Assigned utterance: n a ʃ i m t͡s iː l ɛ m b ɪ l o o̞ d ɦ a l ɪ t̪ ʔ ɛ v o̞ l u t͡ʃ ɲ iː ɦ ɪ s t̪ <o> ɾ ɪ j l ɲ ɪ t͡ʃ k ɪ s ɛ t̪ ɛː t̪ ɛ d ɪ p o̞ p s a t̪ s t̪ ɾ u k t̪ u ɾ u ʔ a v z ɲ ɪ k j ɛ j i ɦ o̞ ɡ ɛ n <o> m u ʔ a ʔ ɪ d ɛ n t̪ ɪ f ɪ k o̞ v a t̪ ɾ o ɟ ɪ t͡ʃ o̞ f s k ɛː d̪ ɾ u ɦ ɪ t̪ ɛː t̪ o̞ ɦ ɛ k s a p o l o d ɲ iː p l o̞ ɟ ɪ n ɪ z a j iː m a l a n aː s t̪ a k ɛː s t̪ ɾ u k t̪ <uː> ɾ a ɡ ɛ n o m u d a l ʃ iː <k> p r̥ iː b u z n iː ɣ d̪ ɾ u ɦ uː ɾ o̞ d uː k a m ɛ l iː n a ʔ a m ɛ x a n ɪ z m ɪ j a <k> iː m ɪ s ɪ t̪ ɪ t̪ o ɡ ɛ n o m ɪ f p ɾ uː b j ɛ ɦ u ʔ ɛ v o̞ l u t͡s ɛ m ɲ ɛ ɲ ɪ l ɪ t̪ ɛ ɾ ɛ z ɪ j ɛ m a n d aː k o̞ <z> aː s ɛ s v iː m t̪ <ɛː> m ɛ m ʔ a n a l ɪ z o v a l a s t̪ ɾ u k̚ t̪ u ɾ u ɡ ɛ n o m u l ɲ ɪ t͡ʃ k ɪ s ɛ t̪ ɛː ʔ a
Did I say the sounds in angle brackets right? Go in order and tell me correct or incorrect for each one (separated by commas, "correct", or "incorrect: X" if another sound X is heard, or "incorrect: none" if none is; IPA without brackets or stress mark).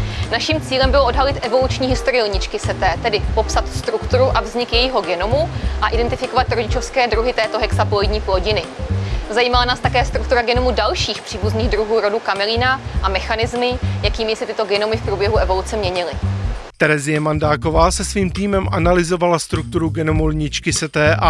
correct, correct, incorrect: u, incorrect: x, correct, incorrect: v, incorrect: iː